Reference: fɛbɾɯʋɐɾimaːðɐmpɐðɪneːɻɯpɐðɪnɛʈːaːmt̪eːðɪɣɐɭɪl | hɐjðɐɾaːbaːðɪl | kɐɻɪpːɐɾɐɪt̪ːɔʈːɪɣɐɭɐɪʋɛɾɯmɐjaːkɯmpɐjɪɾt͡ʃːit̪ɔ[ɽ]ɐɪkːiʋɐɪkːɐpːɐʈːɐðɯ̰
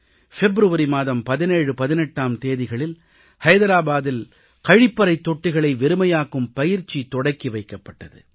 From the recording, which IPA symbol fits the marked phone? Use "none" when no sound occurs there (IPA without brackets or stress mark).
ɽ